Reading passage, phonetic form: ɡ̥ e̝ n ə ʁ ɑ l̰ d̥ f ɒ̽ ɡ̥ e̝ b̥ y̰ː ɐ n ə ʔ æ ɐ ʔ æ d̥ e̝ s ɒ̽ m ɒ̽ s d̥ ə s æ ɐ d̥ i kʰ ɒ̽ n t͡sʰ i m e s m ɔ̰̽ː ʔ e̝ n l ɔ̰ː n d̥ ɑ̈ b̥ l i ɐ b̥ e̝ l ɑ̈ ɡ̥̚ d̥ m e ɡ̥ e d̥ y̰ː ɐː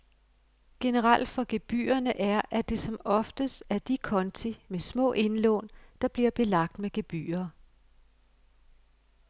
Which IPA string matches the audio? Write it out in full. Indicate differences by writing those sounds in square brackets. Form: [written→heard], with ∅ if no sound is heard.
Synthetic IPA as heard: ɡ̥ e̝ n ə ʁ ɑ l̰ d̥ f ɒ̽ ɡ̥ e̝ b̥ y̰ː ɐ n ə ʔ æ ɐ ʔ æ d̥ e̝ s ɒ̽ m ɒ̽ [s→f] d̥ ə s æ ɐ d̥ i kʰ ɒ̽ n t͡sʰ i m e s m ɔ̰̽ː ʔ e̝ n l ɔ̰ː n d̥ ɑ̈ b̥ l i ɐ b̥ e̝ l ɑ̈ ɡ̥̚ d̥ m e ɡ̥ e [d̥→b̥] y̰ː ɐː